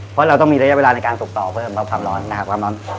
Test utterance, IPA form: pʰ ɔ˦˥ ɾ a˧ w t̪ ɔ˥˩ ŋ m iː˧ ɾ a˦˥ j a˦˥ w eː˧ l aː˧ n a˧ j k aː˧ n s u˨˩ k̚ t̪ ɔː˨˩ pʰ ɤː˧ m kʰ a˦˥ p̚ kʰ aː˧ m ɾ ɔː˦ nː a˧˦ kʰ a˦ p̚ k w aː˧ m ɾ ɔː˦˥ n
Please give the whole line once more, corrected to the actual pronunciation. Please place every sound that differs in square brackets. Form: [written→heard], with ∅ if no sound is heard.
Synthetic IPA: pʰ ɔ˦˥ ɾ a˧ w t̪ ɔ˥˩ ŋ m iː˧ ɾ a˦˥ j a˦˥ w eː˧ l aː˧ n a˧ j k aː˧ n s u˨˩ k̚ t̪ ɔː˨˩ pʰ [ɤː˧→ɤː˥˩] m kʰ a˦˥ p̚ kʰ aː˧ m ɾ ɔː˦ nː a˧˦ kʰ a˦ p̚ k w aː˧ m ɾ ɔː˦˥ n